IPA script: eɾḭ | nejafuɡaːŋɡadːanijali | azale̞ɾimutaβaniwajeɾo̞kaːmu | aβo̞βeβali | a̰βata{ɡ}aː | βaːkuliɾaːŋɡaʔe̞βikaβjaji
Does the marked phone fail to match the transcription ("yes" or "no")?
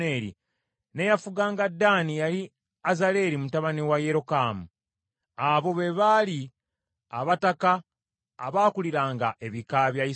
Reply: yes